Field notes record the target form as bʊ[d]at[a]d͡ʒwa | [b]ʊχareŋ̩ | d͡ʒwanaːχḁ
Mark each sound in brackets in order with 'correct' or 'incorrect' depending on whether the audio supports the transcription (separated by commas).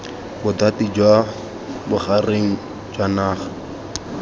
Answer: correct, incorrect, correct